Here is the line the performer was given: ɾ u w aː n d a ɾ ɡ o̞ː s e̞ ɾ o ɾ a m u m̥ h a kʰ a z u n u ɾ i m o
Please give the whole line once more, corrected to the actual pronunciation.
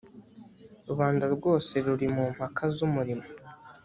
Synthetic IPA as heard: ɾ u β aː n d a ɾ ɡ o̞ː s e̞ ɾ u ɾ i m u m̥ h a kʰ a z u m u ɾ i m o